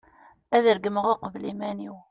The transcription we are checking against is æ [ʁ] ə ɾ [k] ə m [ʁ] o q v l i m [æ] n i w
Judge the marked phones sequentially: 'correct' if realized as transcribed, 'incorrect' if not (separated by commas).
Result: incorrect, incorrect, correct, correct